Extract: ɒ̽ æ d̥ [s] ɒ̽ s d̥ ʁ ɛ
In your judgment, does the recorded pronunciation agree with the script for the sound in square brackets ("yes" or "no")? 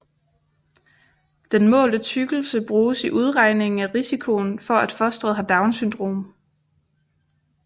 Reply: no